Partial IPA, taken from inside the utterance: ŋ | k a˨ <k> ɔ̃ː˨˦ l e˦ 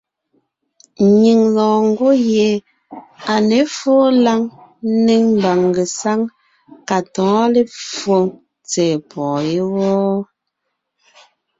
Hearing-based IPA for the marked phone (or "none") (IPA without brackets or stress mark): t